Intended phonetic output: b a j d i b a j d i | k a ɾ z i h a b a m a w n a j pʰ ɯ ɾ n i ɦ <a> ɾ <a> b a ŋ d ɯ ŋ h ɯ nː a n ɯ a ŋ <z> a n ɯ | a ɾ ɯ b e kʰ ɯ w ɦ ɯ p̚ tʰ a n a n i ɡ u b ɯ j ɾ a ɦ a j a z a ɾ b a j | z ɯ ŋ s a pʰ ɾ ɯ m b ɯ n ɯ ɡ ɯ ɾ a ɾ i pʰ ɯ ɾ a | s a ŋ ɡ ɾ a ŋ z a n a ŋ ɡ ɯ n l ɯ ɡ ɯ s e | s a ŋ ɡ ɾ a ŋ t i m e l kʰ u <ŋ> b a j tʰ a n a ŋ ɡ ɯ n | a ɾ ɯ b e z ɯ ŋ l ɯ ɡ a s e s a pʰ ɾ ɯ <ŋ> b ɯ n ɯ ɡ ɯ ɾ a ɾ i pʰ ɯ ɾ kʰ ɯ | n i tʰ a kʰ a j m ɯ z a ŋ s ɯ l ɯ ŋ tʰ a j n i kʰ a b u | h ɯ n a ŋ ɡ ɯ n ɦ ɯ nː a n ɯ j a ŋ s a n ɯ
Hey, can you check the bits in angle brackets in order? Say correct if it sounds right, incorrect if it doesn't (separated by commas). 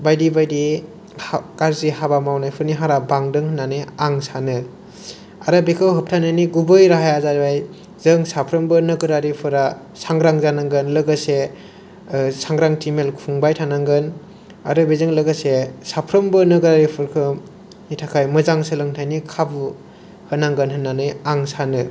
correct, correct, incorrect, correct, incorrect